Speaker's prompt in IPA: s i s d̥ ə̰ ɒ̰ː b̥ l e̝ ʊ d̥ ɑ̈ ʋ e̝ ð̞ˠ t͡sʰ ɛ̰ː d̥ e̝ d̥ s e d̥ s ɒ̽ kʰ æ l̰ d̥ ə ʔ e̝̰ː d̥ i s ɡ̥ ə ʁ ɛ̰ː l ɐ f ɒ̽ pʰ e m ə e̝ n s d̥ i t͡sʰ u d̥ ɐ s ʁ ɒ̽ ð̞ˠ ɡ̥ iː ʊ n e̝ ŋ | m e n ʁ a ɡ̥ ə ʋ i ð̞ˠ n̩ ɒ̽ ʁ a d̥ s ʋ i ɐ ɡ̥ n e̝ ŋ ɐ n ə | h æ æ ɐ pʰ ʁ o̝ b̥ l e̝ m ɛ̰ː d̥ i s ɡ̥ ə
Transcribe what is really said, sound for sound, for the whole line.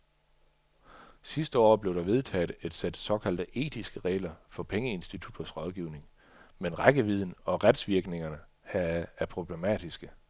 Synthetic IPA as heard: s i s d̥ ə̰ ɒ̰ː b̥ l e̝ ʊ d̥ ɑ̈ ʋ e̝ ð̞ˠ t͡sʰ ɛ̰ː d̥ e̝ d̥ s e d̥ s ɒ̽ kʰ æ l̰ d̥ ə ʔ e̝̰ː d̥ i s ɡ̥ ə ʁ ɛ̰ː l ɐ f ɒ̽ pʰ e ŋ ə e̝ n s d̥ i t͡sʰ u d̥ ɐ s ʁ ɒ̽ ð̞ˠ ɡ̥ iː ʊ n e̝ ŋ | m e n ʁ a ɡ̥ ə ʋ i ð̞ˠ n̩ ɒ̽ ʁ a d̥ s ʋ i ɐ ɡ̥ n e̝ ŋ ɐ n ə | h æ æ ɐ pʰ ʁ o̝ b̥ l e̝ m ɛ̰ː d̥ i s ɡ̥ ə